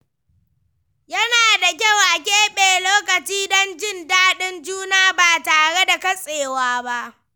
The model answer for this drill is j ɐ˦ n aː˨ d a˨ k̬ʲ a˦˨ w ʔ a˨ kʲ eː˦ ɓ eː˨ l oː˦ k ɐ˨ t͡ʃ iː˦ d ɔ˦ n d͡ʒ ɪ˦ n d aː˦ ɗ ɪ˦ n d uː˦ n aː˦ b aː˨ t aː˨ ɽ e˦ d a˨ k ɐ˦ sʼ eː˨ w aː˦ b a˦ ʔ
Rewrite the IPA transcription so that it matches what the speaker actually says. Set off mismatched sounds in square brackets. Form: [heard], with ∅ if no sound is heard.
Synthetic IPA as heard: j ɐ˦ n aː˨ d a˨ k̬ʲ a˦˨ w ʔ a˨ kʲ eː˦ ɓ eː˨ l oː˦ k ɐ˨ t͡ʃ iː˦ d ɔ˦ n d͡ʒ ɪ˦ n d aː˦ ɗ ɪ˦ n [d͡ʒ] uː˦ n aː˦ b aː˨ t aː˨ ɽ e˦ d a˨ k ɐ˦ sʼ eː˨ w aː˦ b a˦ ʔ

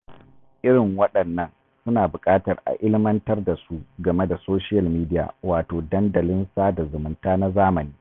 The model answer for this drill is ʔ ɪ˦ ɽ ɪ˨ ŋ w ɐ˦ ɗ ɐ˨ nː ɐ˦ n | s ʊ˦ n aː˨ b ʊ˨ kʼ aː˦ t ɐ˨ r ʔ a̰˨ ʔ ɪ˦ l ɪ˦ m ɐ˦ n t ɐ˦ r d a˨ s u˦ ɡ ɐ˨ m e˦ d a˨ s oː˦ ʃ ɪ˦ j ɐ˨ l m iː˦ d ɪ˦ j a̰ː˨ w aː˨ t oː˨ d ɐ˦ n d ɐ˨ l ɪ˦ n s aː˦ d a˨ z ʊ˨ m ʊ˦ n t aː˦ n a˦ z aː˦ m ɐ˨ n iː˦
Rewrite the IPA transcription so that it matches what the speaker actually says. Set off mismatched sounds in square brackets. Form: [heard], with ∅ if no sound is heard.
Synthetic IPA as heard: ʔ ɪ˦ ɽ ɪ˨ ŋ w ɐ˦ ɗ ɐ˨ nː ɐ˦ n | s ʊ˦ n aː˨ b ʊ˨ kʼ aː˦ t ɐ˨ r ʔ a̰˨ ʔ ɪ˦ l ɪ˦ m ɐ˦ n t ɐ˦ r d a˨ s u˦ ɡ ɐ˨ m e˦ d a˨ s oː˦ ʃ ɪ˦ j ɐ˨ l m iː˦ d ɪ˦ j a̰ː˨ w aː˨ t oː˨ d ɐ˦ n d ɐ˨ l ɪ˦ n s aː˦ d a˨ z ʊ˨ m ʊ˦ n t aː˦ n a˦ z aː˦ m ɐ˨ n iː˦

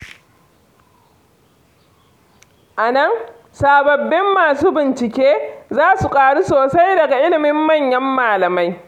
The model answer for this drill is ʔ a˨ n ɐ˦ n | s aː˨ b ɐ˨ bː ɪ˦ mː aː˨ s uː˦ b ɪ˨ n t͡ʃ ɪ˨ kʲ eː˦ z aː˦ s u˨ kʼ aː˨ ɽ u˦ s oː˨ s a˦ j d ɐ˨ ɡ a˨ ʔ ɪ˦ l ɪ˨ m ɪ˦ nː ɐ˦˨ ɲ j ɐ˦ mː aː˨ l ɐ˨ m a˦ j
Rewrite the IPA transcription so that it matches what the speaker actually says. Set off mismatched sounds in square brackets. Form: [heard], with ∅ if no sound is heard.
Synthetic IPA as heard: ʔ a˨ n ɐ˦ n | s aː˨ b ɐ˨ bː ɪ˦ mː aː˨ s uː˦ b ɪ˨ n t͡ʃ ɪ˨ kʲ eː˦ z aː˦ s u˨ kʼ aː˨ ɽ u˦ s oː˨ s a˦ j d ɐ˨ ɡ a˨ ʔ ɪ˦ l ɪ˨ m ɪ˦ [mː] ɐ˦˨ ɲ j ɐ˦ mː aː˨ l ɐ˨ m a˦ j

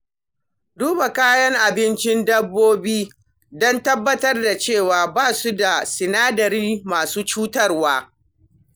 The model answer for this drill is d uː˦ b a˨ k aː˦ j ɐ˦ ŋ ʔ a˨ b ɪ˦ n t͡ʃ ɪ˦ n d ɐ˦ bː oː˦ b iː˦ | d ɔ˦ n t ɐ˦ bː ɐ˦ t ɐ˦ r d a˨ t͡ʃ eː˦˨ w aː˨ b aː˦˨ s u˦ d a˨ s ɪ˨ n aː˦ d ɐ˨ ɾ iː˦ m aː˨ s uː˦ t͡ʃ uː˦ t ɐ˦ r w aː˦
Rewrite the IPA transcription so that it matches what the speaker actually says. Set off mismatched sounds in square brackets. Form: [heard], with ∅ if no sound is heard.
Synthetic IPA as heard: d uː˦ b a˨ k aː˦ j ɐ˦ ŋ ʔ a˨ b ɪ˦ n t͡ʃ ɪ˦ n d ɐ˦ bː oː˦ b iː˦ | d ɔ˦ n t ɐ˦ bː ɐ˦ t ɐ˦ r d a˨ t͡ʃ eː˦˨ w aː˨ b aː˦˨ s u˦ d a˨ s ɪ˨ n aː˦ d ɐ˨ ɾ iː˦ m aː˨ s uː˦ t͡ʃ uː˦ t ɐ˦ r w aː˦

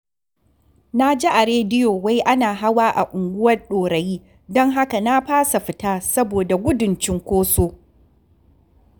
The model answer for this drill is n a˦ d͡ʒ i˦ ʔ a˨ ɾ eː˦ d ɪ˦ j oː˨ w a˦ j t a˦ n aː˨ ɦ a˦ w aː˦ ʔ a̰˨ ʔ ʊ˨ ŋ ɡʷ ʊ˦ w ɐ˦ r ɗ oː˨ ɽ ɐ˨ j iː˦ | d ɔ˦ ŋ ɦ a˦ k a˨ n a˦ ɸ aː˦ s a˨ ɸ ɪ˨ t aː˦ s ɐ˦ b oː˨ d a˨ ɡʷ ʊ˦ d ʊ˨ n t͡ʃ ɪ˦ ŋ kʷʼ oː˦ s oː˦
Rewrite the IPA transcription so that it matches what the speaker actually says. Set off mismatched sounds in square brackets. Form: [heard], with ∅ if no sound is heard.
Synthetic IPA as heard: n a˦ d͡ʒ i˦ ʔ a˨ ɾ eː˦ d ɪ˦ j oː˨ w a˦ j [ʔ] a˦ n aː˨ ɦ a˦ w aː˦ ʔ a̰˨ ʔ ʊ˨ ŋ ɡʷ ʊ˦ w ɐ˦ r ɗ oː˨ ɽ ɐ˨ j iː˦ | d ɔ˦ ŋ ɦ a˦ k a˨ n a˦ ɸ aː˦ s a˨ ɸ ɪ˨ t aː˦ s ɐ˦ b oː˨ d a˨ ɡʷ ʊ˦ d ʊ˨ n t͡ʃ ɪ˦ ŋ [kʷ] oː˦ s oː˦

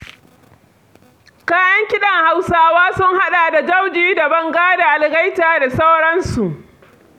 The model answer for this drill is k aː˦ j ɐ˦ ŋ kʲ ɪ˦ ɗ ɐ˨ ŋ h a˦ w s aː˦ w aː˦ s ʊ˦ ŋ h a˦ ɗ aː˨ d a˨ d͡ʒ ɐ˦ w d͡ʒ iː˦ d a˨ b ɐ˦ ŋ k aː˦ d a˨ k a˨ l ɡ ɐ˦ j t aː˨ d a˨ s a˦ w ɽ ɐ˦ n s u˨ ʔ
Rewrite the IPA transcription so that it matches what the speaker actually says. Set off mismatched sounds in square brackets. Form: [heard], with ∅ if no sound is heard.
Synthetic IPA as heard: k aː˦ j ɐ˦ ŋ kʲ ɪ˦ ɗ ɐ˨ ŋ h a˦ w s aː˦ w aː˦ s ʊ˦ ŋ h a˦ ɗ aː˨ d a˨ d͡ʒ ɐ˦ w d͡ʒ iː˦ d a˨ b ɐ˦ ŋ [ɡ] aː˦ d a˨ [ʔ] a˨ l ɡ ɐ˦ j t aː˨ d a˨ s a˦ w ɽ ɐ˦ n s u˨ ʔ

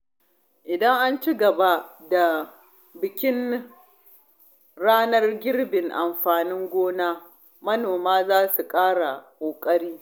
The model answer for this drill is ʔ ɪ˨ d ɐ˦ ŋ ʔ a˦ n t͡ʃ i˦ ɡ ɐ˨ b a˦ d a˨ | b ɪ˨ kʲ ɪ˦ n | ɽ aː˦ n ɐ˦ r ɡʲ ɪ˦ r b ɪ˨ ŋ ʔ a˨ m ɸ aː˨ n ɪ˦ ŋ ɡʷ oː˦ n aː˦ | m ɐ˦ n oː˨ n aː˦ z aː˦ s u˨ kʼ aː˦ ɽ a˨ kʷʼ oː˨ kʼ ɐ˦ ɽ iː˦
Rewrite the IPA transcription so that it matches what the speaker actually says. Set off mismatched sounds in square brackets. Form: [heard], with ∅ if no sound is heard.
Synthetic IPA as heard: ʔ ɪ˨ d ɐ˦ ŋ ʔ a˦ n t͡ʃ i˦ ɡ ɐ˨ b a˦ d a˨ | b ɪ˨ kʲ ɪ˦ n | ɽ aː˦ n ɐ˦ r ɡʲ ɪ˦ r b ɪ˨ ŋ ʔ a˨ m ɸ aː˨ n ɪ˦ ŋ ɡʷ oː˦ n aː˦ | m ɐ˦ n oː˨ [m] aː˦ z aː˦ s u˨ kʼ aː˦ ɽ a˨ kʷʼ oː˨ kʼ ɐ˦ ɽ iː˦

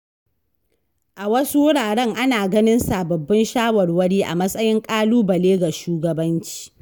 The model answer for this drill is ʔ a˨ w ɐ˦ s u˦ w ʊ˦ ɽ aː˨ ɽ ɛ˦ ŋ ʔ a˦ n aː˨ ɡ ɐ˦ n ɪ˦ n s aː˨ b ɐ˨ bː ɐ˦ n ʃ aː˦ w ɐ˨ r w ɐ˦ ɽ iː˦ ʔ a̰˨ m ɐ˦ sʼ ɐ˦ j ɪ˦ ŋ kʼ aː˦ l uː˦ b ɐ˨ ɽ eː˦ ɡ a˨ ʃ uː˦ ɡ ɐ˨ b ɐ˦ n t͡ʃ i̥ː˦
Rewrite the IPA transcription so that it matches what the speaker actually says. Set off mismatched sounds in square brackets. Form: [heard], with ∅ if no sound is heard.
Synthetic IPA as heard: ʔ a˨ w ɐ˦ s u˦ w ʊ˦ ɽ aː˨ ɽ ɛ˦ ŋ ʔ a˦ n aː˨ ɡ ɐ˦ n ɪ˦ n s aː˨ b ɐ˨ bː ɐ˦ n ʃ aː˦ w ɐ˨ r w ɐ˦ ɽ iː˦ ʔ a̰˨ m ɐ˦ sʼ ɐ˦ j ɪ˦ ŋ kʼ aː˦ l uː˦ b ɐ˨ [l] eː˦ ɡ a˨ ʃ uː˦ ɡ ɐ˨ b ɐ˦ n t͡ʃ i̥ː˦

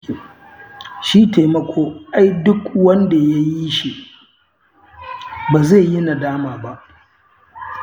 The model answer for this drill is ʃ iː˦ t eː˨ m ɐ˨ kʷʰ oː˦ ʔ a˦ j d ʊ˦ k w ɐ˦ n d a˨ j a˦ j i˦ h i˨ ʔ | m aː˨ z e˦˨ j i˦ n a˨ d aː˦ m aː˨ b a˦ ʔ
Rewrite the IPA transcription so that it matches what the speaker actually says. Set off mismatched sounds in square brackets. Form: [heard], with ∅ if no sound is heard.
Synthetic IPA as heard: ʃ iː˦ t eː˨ m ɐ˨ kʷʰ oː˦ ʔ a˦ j d ʊ˦ k w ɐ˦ n d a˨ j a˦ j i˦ [ʃ] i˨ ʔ | [b] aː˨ z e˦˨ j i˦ n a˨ d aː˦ m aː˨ b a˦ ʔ

